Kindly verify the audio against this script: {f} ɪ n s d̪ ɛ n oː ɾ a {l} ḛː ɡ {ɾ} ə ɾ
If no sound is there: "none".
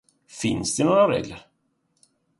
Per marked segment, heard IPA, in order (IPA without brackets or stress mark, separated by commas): f, ɾ, l